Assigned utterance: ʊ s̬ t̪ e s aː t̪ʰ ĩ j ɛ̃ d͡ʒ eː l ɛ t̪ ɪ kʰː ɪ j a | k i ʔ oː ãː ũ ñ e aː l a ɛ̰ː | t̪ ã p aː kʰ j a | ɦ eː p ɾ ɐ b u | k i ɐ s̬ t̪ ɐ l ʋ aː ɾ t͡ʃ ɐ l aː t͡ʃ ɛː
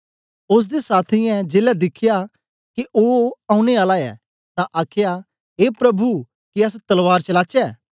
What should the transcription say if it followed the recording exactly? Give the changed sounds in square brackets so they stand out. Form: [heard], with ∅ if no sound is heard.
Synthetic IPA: ʊ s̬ [d̪] e s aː t̪ʰ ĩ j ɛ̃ d͡ʒ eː l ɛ [d̪] ɪ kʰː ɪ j a | k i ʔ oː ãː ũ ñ e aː l a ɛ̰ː | t̪ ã [ʔ] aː kʰ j a | ɦ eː p ɾ ɐ b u | k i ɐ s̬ t̪ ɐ l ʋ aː ɾ t͡ʃ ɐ l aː t͡ʃ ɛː